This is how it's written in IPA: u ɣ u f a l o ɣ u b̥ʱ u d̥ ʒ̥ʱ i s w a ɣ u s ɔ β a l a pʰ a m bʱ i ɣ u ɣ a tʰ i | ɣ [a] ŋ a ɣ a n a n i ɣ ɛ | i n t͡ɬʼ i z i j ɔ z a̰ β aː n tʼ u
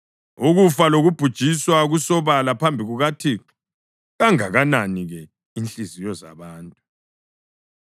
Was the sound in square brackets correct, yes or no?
yes